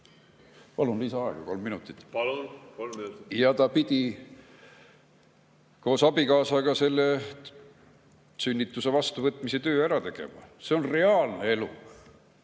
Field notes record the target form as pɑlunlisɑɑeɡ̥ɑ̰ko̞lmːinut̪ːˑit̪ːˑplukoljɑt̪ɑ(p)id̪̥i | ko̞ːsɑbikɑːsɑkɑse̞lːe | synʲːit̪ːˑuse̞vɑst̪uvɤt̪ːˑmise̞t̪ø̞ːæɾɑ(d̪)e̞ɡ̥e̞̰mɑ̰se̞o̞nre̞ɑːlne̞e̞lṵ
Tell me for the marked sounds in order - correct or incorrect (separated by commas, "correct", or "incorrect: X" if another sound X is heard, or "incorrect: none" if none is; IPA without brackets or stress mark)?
correct, incorrect: t̪